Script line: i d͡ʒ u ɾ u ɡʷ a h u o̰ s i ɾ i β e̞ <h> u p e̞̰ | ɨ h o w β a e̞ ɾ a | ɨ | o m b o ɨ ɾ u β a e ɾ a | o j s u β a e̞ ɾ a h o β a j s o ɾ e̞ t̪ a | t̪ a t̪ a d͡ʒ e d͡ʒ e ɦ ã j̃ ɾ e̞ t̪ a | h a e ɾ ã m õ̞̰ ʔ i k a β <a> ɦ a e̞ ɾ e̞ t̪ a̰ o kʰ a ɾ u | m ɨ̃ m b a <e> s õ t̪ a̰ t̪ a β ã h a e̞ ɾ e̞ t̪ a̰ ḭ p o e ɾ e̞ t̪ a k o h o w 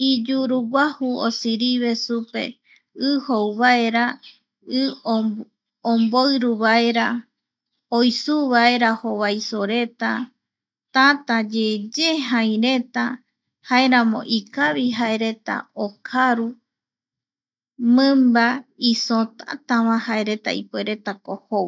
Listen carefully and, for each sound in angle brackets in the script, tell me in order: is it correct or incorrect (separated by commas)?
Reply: incorrect, incorrect, incorrect